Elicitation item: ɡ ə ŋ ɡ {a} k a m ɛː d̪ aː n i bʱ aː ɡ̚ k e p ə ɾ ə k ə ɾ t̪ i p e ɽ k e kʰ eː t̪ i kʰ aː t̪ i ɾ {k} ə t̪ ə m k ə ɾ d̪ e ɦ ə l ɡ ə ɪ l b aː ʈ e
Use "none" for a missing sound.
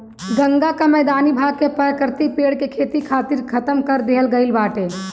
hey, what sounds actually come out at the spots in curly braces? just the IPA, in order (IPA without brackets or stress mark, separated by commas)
a, kʰ